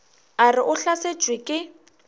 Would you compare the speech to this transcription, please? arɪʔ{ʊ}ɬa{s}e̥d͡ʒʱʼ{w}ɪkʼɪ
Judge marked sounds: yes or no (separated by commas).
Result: yes, yes, yes